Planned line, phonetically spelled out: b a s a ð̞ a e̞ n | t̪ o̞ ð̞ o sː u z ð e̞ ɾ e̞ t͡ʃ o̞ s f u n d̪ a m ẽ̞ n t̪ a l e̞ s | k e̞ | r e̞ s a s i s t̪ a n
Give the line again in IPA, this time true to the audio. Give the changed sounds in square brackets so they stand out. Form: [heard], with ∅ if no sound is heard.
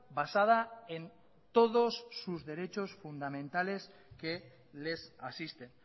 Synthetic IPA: b a s a ð̞ a e̞ n | t̪ o̞ ð̞ o sː u z ð e̞ ɾ e̞ t͡ʃ o̞ s f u n d̪ a m ẽ̞ n t̪ a l e̞ s | k e̞ | [l] e̞ s a s i s t̪ [e] n